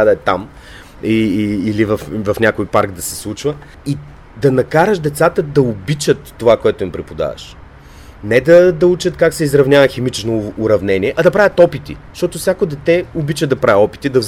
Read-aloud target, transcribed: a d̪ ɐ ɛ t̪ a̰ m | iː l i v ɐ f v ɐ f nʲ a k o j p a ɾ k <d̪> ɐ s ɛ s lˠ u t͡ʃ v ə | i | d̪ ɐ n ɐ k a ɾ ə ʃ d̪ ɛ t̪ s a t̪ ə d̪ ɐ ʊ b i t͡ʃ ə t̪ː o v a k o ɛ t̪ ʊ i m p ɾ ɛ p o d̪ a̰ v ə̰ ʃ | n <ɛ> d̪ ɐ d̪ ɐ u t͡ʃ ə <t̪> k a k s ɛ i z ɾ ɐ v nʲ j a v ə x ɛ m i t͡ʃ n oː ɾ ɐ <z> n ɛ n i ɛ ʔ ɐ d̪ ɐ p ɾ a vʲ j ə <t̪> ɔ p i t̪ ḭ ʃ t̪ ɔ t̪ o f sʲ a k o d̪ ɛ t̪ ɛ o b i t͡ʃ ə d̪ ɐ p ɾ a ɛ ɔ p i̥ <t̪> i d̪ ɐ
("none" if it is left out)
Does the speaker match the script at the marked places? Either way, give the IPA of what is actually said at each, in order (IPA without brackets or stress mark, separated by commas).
d̪, ɛ, t̪, v, t̪, t̪